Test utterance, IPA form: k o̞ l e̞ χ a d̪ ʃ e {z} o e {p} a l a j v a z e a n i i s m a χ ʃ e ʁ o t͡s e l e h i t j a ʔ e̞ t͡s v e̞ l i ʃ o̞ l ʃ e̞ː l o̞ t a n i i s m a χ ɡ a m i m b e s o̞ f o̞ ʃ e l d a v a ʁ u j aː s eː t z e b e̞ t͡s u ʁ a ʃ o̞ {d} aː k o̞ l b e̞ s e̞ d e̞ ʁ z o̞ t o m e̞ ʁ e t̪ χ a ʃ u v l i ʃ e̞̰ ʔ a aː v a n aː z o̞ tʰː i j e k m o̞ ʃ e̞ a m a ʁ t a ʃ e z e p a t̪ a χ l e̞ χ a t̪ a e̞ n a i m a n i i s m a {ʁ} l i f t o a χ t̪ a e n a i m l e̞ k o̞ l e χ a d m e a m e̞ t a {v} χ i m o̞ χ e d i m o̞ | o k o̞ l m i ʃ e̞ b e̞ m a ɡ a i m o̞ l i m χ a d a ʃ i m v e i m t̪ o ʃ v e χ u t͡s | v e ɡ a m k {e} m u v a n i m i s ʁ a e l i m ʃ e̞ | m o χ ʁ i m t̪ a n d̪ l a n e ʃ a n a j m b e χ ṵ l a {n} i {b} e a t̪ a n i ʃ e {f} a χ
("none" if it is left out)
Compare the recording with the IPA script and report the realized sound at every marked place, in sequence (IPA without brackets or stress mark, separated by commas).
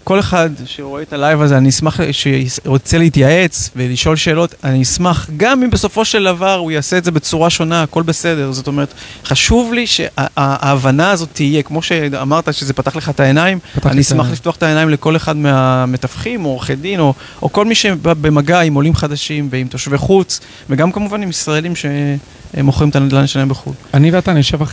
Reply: ʁ, t, n, χ, f, a, n, v, v